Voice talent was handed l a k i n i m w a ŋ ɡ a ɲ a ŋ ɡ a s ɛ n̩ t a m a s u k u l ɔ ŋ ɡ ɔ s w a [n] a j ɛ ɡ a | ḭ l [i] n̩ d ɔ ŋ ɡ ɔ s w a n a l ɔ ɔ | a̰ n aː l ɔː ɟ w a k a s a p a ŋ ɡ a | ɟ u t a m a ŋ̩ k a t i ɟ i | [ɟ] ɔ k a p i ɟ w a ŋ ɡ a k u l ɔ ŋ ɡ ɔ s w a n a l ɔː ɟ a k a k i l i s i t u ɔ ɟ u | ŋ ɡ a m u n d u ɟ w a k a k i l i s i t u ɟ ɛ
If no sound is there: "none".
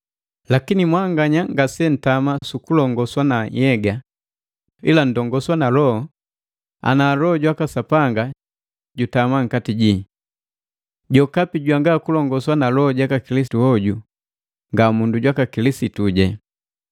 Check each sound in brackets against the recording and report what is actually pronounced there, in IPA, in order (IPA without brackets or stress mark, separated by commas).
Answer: n, a, ɟ